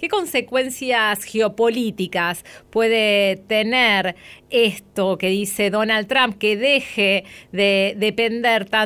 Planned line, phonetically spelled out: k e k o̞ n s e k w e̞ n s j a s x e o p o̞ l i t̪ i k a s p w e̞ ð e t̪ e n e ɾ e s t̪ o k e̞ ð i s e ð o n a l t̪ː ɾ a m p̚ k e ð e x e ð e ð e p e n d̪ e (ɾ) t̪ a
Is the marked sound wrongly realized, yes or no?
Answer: no